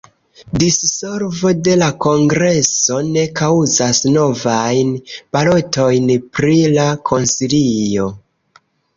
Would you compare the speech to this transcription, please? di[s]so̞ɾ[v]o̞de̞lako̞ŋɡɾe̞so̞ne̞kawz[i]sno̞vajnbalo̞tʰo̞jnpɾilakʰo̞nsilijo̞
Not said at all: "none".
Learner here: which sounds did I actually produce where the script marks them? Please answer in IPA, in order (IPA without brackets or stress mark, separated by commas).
s, v, a